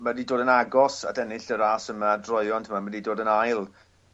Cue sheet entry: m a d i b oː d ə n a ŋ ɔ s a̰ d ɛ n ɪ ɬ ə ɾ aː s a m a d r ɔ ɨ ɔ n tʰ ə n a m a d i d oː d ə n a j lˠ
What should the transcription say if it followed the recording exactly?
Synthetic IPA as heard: m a d i d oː d ə n a ɡ ɔ s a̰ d ɛ n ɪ ɬ ə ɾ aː s ə m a d r ɔ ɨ ɔ n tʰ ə m a m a d i d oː d ə n a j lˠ